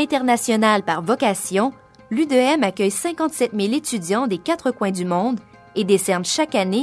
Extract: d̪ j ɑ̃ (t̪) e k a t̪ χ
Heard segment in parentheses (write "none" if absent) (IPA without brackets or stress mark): d̪